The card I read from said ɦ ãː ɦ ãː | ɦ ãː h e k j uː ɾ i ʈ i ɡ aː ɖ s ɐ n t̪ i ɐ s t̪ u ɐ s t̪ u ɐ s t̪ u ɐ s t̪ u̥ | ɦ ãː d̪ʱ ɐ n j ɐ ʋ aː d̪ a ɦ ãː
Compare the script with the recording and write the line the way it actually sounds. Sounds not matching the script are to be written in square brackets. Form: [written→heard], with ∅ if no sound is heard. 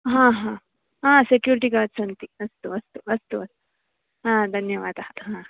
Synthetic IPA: ɦ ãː ɦ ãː | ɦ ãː [h→s] e k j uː ɾ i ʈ i ɡ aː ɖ s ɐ n t̪ i ɐ s t̪ u ɐ s t̪ u ɐ s t̪ u ɐ s t̪ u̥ | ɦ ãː d̪ʱ ɐ n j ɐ ʋ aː d̪ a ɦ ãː